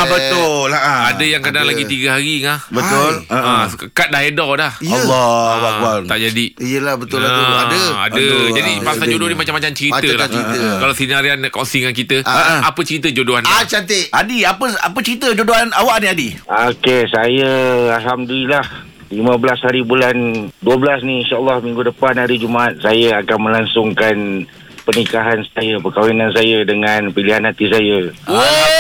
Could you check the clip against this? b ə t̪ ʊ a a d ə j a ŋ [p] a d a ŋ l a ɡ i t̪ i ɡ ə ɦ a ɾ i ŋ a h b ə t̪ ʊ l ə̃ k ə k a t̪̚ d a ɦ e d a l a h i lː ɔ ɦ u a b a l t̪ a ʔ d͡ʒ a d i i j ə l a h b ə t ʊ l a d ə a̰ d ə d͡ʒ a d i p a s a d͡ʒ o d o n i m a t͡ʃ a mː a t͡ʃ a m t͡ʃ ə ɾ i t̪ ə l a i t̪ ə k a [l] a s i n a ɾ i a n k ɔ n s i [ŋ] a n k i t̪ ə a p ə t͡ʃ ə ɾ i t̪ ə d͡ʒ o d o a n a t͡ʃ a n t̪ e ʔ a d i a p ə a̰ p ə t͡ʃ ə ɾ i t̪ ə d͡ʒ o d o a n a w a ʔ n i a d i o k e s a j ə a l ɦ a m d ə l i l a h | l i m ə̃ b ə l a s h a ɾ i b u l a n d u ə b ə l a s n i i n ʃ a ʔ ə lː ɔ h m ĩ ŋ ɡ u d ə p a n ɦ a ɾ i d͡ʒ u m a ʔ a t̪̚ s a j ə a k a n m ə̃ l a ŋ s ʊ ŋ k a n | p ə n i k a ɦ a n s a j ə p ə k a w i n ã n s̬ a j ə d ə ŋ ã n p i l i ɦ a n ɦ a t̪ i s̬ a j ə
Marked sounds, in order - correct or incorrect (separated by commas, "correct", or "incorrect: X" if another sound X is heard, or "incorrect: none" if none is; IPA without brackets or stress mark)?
incorrect: k, correct, correct